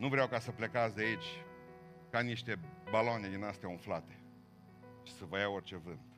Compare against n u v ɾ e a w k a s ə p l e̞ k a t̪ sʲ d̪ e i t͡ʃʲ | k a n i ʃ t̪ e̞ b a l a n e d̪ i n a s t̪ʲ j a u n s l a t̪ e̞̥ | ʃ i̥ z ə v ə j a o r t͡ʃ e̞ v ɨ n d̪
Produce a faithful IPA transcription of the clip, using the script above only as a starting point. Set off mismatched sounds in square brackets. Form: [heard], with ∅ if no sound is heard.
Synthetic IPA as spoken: n u v ɾ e a w k a s ə p l e̞ k a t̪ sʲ d̪ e i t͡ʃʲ | k a n i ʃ t̪ e̞ b a l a n e d̪ i n a s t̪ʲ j a u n [f] l a t̪ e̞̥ | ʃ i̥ [s] ə v ə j a o r t͡ʃ e̞ v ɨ n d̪